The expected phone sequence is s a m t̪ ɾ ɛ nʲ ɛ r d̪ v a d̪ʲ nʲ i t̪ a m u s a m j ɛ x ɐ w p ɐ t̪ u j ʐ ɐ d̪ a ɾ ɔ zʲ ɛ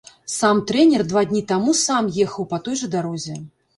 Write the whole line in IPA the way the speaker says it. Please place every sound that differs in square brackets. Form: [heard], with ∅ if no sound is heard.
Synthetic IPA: s a m t̪ ɾ ɛ nʲ ɛ r d̪ v a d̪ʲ nʲ i t̪ a m u s a m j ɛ x ɐ w p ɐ t̪ [ɔ] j ʐ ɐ d̪ a ɾ ɔ zʲ ɛ